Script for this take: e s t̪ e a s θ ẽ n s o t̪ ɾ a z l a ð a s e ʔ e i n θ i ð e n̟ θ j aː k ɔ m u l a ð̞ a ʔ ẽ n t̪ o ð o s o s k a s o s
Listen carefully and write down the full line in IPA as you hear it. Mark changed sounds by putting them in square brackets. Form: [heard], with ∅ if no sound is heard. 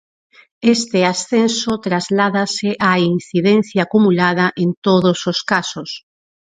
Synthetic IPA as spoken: e s t̪ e a s θ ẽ n s o t̪ ɾ a z l a ð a s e ʔ [a] i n θ i ð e n̟ θ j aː k [u] m u l a ð̞ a ʔ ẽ n t̪ o ð o s o s k a s o s